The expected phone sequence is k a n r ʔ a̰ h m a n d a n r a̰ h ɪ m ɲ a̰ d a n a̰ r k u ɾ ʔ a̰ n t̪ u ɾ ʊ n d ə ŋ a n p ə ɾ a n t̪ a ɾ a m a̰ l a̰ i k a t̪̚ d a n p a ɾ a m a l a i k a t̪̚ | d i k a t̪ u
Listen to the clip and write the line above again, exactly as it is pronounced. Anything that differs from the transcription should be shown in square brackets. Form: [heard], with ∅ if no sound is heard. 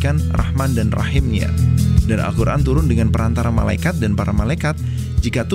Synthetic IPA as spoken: k a n r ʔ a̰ h m a n d a n r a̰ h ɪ m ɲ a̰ d a n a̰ [l] k u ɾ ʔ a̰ n t̪ u ɾ ʊ n d ə ŋ a n p ə ɾ a n t̪ a ɾ a m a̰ l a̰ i k a t̪̚ d a n p a ɾ a m a l a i k a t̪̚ | [d͡ʒ] i k a t̪ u